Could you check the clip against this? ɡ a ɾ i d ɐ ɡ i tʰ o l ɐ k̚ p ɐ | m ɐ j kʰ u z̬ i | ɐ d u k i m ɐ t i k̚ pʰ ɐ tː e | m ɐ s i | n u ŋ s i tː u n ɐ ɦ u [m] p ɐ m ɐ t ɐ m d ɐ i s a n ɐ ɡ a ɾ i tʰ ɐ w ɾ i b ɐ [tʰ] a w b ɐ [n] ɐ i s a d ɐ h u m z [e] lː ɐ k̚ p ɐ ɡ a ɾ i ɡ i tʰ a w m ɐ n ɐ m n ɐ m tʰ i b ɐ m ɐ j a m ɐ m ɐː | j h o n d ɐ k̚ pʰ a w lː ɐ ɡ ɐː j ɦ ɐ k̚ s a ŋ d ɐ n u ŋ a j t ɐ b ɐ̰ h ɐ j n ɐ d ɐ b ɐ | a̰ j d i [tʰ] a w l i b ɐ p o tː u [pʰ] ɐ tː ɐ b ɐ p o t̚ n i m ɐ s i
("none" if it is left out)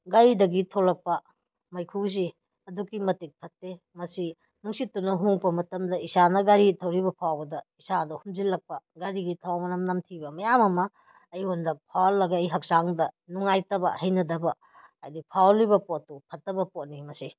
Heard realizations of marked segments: ŋ, pʰ, d, i, pʰ, pʰ

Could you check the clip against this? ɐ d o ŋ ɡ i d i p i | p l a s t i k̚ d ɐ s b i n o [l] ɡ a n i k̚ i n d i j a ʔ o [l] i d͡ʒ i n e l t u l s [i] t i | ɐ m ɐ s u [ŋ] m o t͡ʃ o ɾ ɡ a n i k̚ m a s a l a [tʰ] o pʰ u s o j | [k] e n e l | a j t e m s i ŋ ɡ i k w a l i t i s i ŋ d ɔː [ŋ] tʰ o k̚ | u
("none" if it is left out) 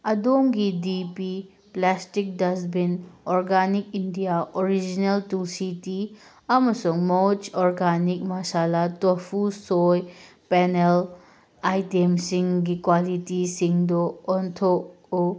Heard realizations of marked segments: ɾ, ɾ, i, ŋ, t, p, n

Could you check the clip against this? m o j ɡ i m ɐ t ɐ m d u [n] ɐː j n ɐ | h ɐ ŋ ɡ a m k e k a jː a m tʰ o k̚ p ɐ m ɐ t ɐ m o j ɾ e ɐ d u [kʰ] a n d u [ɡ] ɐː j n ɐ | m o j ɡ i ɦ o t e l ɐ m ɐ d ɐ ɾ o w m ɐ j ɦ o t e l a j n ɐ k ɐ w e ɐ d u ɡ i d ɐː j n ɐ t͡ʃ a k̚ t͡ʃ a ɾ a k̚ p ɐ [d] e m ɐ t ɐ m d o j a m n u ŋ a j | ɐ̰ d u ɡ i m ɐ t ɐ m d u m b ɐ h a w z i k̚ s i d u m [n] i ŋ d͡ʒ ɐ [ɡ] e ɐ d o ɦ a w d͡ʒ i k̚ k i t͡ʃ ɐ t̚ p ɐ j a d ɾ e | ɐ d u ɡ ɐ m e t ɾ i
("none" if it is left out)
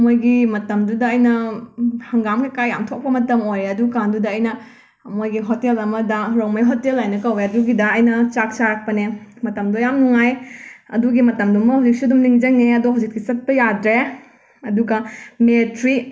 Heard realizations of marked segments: d, k, d, n, n, ŋ

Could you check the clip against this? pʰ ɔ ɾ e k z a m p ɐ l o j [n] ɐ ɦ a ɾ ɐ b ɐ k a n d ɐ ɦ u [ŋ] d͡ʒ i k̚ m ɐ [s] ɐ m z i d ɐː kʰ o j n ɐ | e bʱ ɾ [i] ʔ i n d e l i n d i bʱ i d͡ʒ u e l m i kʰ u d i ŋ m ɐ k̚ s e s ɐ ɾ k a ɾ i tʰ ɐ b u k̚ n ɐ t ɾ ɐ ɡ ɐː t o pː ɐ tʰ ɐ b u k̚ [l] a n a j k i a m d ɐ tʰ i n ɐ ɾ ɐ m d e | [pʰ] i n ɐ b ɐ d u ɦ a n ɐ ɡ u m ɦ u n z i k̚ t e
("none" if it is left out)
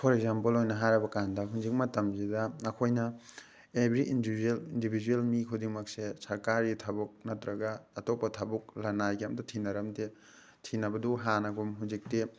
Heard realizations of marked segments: n, n, t, i, l, tʰ

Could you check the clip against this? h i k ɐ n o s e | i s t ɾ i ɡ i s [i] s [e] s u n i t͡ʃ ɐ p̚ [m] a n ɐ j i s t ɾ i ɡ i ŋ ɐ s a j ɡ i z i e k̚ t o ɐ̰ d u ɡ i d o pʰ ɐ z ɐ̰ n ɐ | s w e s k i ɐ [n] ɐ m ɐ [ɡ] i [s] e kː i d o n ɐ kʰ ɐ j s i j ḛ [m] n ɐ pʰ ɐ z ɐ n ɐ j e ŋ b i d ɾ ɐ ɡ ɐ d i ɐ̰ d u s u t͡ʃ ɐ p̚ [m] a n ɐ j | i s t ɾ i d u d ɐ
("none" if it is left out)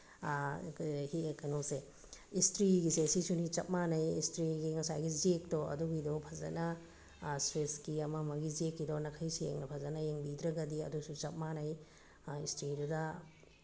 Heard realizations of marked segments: e, i, m, m, ɡ, z, ŋ, m

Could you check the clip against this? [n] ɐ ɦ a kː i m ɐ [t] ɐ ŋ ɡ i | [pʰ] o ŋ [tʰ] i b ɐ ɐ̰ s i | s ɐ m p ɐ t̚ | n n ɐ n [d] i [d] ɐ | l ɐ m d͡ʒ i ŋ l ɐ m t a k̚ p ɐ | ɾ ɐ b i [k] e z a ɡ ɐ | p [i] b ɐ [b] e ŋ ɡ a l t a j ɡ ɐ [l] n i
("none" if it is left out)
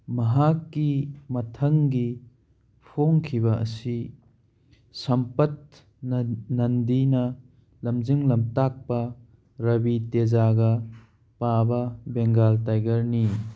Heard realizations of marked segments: m, tʰ, pʰ, kʰ, d, n, t, a, b, ɾ

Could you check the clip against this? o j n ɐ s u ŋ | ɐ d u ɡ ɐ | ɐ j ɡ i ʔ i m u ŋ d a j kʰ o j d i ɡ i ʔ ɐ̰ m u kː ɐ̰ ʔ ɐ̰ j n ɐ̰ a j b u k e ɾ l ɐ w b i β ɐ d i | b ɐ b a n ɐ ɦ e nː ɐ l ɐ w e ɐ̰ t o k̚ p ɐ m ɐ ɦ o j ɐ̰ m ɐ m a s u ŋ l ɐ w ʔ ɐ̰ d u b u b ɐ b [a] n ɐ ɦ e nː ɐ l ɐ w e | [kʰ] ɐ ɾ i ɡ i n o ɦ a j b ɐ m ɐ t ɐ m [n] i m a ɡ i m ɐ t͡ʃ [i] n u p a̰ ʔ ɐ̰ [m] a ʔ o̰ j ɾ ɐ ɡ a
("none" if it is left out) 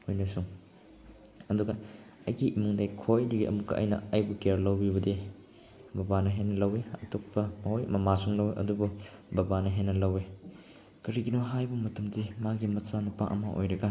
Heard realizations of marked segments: a, k, d, a, m

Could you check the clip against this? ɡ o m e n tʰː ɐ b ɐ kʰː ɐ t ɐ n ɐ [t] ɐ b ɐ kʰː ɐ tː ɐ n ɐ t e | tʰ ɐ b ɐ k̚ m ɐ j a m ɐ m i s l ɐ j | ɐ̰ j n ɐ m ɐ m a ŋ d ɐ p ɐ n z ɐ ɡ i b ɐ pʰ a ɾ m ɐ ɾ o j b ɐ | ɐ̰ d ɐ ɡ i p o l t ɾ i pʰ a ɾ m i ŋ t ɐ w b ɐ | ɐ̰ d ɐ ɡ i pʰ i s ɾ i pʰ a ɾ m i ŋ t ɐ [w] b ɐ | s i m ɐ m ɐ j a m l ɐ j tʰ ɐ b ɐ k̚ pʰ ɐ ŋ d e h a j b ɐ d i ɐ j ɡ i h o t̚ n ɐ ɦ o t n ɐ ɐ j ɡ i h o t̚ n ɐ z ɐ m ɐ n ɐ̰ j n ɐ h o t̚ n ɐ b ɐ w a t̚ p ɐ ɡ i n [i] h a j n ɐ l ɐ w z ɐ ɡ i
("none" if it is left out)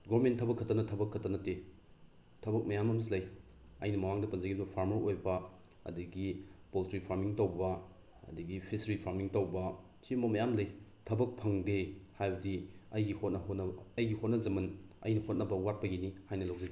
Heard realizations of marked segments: tʰ, w, i

